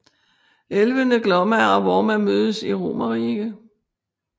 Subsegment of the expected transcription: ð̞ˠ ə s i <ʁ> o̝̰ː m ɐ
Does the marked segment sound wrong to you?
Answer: no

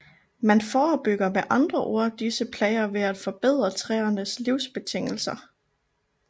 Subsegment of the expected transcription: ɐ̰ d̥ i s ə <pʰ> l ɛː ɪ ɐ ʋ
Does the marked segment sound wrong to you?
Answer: no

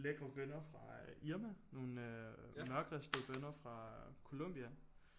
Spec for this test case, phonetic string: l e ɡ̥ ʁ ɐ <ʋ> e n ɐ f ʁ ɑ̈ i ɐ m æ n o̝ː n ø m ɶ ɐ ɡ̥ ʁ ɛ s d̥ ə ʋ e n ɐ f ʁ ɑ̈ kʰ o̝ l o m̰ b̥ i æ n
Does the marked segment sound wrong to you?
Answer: no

